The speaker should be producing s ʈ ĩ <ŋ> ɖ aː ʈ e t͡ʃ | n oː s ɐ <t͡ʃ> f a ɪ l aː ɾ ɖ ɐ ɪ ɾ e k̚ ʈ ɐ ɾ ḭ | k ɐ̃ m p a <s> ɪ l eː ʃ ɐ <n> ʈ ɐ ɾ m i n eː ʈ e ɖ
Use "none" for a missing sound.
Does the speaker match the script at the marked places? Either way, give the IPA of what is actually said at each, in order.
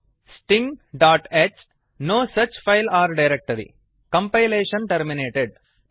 ŋ, t͡ʃ, none, n

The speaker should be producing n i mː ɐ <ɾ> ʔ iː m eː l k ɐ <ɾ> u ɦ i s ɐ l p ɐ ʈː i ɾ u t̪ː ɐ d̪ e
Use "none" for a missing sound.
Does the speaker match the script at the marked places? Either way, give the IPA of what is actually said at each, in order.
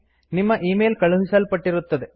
none, ɭ

